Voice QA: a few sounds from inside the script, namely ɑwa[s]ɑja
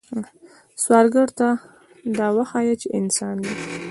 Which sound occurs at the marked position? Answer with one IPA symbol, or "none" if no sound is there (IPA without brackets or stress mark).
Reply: x